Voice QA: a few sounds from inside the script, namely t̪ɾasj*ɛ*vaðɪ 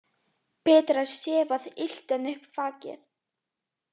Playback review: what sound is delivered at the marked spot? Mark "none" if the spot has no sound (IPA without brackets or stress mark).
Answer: ɛː